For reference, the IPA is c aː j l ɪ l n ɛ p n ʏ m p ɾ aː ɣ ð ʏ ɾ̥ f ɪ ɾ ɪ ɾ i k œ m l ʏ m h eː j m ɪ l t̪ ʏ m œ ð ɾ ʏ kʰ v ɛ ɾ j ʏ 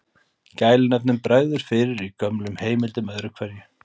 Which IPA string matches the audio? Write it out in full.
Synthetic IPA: c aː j l ɪ n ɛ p n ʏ m p ɾ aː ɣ ð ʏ ɾ̥ f ɪ ɾ ɪ ɾ i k œ m l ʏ m h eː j m ɪ l t̪ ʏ m œ ð ɾ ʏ kʰ v ɛ ɾ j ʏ

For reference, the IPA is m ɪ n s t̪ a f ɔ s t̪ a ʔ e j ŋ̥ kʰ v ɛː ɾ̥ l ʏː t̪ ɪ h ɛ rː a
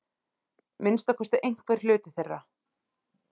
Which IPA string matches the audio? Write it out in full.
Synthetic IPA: m ɪ n s t̪ a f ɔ s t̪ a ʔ e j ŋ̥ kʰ v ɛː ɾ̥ l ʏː t̪ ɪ θ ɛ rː a

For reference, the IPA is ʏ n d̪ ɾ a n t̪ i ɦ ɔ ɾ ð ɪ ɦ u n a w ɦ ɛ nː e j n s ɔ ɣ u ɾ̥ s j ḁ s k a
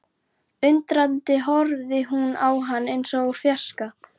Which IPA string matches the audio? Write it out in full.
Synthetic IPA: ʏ n t̪ ɾ a n t̪ ɪ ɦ ɔ ɾ ð ɪ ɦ u n a w ɦ a nː e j n s ɔ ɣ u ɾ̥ f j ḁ s k a

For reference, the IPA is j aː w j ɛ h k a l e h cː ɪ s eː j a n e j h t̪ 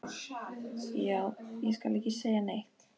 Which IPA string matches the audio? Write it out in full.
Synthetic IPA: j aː w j ɛ s k a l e h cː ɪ s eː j a n e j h t̪

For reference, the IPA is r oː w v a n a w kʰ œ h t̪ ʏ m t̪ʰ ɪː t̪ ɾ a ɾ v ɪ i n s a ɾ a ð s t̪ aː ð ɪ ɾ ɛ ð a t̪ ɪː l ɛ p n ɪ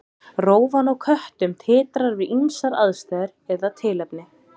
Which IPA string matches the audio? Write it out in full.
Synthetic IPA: r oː w v a n a w kʰ œ h t̪ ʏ m t̪ʰ ɪː t̪ ɾ a ɾ v ɪ i n s a ɾ a ð s t̪ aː ð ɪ ɾ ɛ ð a t̪ʰ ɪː l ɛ p n ɪ

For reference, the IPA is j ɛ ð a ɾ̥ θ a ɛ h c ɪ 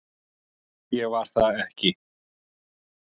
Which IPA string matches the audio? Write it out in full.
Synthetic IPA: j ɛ v a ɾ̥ θ a ɛ h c ɪ

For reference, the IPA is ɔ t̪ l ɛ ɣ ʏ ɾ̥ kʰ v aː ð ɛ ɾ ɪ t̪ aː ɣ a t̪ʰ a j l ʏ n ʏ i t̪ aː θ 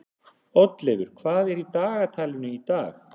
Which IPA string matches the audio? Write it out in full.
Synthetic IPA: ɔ t̪ l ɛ ɣ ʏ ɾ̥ kʰ v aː ð ɛ ɾ i t̪ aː ɣ a t̪ʰ a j l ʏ n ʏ i t̪ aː x

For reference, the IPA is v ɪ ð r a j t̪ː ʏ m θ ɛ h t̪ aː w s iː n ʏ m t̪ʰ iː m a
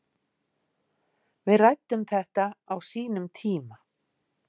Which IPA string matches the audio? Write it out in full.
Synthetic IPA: v ɪ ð r a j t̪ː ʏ m θ ɛ h t̪ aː w s iː n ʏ m t̪ʰ iː m a

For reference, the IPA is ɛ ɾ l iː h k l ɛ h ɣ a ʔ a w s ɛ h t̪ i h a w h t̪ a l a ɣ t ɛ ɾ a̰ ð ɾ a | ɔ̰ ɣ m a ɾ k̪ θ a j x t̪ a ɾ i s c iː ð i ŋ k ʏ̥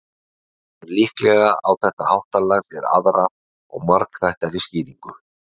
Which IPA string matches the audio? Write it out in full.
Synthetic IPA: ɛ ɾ l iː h k l ɛ ɣ a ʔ a w θ ɛ h t̪ a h a w h t̪ a l a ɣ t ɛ ɾ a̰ ð ɾ a | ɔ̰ ɣ m a ɾ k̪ θ a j h t̪ a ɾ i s c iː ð i ŋ k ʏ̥

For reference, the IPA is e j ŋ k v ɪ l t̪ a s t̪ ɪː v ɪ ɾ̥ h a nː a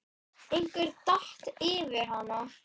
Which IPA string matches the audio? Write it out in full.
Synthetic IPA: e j ŋ k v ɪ ɾ t̪ a h t̪ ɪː v ɪ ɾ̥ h a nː a

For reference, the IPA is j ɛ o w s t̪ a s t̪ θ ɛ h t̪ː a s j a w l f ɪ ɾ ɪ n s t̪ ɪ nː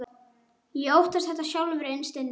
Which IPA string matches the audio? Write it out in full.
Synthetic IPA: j ɛ o w h t̪ a s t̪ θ ɛ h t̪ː a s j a w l v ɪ ɾ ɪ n s t̪ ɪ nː

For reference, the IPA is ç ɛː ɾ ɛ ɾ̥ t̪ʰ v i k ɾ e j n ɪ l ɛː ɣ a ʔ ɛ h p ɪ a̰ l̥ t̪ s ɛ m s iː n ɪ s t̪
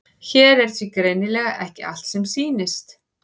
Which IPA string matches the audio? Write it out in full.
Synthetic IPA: ç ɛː ɾ ɛ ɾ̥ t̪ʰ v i k ɾ e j n ɪ l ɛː ɣ a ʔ ɛ h c ɪ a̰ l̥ t̪ s ɛ m s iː n ɪ s t̪

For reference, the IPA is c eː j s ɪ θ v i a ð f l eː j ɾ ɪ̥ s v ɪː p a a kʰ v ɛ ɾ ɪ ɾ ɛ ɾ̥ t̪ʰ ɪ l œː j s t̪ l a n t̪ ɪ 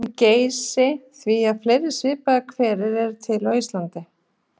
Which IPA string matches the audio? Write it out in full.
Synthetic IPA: c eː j s ɪ θ v i a ð f l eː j ɾ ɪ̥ s v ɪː p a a kʰ v ɛː ɾ ɪ ɾ ɛ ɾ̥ t̪ʰ ɪ l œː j s t̪ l a n t̪ ɪ

